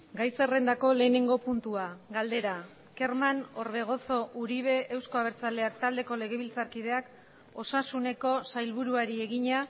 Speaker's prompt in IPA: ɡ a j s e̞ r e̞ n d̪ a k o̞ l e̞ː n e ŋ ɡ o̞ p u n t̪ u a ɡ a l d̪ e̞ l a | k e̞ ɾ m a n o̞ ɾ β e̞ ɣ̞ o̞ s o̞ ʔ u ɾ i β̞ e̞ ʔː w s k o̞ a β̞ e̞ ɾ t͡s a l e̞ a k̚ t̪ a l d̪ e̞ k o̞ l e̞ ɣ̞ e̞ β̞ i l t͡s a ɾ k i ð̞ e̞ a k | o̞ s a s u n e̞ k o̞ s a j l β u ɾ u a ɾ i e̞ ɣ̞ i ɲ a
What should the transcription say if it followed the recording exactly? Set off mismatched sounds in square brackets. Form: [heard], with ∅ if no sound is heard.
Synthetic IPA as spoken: ɡ a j s e̞ r e̞ n d̪ a k o̞ l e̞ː n e ŋ ɡ o̞ p u n t̪ u a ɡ a l d̪ e̞ [ɾ] a | k e̞ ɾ m a n o̞ ɾ β e̞ ɣ̞ o̞ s o̞ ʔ u ɾ i β̞ e̞ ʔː w s k o̞ a β̞ e̞ ɾ t͡s a l e̞ a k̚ t̪ a l d̪ e̞ k o̞ l e̞ ɣ̞ e̞ β̞ i l t͡s a ɾ k i ð̞ e̞ a k | o̞ s a s u n e̞ k o̞ s a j l β u ɾ u a ɾ i e̞ ɣ̞ i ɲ a